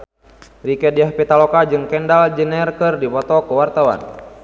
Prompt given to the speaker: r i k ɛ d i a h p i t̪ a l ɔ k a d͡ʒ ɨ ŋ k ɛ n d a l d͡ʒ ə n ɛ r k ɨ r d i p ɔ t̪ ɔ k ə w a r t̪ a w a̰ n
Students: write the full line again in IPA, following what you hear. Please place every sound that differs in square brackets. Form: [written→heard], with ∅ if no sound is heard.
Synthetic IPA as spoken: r i k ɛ d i a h p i t̪ a l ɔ k a d͡ʒ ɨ ŋ k ɛ n d a l d͡ʒ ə n ɛ r k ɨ r d i p ɔ t̪ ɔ k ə w a r t̪ a w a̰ n